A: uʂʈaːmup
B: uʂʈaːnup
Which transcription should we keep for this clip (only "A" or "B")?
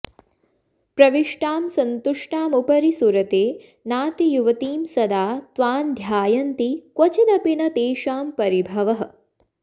A